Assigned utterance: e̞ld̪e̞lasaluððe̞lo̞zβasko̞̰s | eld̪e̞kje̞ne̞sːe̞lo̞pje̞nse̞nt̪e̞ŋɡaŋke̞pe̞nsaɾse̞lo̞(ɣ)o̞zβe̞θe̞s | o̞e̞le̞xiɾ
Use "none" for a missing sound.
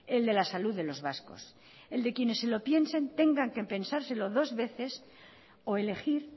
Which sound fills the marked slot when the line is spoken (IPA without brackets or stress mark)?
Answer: ð